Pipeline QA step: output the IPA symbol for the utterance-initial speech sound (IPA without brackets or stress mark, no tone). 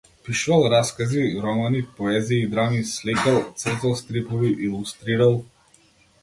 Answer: p